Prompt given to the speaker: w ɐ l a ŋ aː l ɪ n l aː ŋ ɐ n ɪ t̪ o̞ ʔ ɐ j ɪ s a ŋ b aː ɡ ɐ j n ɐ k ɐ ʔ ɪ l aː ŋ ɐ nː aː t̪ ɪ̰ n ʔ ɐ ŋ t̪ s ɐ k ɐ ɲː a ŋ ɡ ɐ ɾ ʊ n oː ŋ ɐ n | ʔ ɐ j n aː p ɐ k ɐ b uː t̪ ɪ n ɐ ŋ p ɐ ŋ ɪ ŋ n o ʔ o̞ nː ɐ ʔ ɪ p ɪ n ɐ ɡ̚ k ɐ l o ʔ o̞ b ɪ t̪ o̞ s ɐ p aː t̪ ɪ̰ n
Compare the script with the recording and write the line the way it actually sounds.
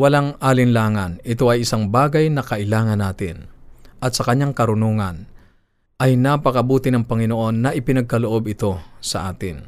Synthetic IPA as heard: w ɐ l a ŋ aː l ɪ n l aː ŋ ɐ n ɪ t̪ o̞ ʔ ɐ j ɪ s a ŋ b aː ɡ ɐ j n ɐ k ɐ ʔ ɪ l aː ŋ ɐ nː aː t̪ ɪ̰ n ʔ ɐ t̪ s ɐ k ɐ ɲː a ŋ k ɐ ɾ ʊ n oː ŋ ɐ n | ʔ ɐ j n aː p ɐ k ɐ b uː t̪ ɪ n ɐ ŋ p ɐ ŋ ɪ n o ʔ o̞ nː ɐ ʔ ɪ p ɪ n ɐ ɡ̚ k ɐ l o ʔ o̞ b ɪ t̪ o̞ s ɐ ʔ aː t̪ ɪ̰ n